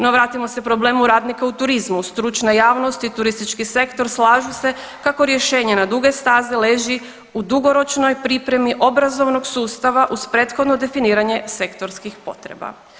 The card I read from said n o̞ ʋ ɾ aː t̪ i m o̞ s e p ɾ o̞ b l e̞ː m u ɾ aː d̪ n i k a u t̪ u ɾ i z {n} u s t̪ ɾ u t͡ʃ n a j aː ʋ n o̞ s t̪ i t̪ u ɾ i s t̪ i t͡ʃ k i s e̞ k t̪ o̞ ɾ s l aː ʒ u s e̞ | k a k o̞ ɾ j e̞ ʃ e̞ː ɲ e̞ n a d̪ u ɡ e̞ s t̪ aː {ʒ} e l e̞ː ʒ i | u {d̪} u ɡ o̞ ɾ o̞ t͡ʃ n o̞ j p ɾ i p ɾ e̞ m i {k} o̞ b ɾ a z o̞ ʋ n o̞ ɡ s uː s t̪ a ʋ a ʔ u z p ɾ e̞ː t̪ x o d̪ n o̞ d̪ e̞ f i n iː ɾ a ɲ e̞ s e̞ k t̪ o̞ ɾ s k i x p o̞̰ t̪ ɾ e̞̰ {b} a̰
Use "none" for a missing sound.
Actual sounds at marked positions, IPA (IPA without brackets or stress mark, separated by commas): m, z, d̪, ʔ, b